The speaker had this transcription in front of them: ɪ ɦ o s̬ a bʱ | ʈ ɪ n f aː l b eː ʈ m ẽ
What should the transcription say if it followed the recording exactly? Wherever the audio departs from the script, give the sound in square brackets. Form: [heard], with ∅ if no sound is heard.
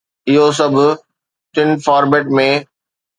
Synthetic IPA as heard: ɪ ɦ o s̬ [ɐ] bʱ | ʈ ɪ n f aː [ɾ] b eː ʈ m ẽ